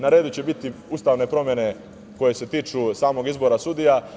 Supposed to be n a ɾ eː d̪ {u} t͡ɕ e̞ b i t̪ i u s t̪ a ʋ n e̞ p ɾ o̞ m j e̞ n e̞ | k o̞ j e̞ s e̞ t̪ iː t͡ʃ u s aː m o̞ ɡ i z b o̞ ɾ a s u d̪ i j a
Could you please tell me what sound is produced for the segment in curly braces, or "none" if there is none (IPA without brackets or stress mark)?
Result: u